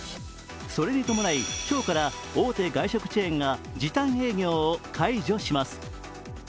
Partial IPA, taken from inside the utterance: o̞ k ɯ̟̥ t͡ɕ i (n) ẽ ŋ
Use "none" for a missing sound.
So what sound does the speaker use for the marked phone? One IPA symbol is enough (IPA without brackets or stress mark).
none